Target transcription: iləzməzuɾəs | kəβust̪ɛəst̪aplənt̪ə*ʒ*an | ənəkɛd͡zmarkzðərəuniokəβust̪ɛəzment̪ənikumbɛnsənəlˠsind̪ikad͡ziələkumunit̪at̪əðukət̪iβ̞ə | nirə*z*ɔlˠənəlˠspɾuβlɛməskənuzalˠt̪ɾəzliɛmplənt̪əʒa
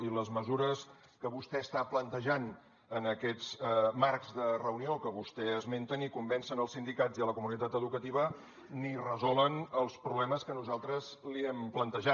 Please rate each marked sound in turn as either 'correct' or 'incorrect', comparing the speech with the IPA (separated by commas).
correct, correct